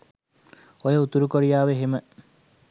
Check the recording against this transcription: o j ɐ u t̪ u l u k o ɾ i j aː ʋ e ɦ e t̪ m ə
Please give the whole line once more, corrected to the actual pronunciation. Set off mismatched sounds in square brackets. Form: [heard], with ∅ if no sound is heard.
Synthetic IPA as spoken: o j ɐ u t̪ u [ɾ] u k o ɾ i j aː ʋ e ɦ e [∅] m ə